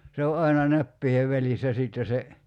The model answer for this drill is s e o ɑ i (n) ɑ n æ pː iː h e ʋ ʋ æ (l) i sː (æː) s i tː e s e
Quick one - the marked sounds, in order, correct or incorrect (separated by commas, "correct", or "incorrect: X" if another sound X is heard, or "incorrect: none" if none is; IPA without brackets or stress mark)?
correct, correct, incorrect: æ